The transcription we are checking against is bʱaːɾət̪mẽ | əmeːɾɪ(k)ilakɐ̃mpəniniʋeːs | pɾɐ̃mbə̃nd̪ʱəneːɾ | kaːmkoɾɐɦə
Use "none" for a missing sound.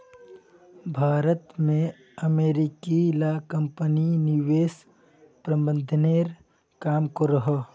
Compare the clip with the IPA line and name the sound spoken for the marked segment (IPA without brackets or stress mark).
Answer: k